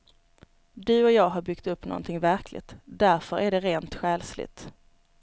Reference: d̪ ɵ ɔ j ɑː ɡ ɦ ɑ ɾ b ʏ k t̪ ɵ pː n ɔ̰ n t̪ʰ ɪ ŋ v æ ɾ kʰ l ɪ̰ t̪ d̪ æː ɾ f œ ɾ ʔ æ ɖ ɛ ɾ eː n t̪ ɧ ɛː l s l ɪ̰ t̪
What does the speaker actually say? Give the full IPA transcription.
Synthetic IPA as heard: d̪ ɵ ɔ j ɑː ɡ ɦ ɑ ɾ b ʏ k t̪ ɵ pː n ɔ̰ n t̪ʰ ɪ ŋ v æ ɾ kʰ l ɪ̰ t̪ d̪ æ ɾ f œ ɾ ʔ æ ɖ ɛ ɾ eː n t̪ ɧ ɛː l s l ɪ̰ t̪